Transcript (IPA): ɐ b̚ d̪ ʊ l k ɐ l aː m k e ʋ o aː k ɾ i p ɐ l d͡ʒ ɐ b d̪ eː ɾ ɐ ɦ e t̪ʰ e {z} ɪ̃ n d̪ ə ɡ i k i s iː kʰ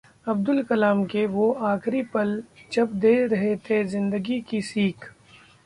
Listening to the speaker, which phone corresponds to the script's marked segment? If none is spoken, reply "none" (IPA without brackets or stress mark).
z